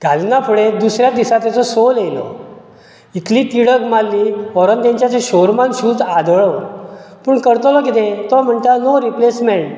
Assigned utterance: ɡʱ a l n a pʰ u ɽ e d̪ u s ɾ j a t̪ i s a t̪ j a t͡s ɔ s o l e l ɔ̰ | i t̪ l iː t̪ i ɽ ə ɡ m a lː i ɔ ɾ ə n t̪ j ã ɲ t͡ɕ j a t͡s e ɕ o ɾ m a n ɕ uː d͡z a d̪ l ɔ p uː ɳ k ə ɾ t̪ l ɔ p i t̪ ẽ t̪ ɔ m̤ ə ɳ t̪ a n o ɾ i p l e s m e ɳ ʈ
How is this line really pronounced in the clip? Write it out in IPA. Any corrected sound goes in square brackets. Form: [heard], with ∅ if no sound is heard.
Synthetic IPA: ɡʱ a l n a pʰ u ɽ e d̪ u s ɾ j a [d̪] i s a t̪ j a t͡s ɔ s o l e l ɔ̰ | i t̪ l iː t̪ i ɽ ə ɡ m a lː i ɔ ɾ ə n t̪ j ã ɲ t͡ɕ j a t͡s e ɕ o ɾ m a n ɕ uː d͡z a d̪ [ɭ] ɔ p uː ɳ k ə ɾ t̪ l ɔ [k] i t̪ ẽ t̪ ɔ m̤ ə ɳ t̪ a n o ɾ i p l e s m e ɳ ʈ